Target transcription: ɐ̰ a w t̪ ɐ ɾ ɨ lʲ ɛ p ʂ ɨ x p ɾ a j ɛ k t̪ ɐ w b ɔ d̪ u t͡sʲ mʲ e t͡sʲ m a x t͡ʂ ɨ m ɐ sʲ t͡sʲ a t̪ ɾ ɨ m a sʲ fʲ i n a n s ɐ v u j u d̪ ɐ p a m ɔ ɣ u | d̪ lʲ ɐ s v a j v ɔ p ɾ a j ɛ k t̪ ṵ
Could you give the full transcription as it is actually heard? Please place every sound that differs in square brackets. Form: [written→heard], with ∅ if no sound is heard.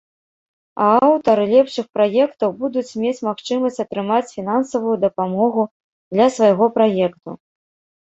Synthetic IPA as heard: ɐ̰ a w t̪ ɐ ɾ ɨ lʲ ɛ p ʂ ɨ x p ɾ a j ɛ k t̪ ɐ w b [ɔ→u] d̪ u t͡sʲ mʲ e t͡sʲ m a x t͡ʂ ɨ m ɐ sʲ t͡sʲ [a→ɐ] t̪ ɾ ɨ m a [sʲ→t͡sʲ] fʲ i n a n s ɐ v u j u d̪ ɐ p a m ɔ ɣ u | d̪ lʲ ɐ s v a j [v→ɣ] ɔ p ɾ a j ɛ k t̪ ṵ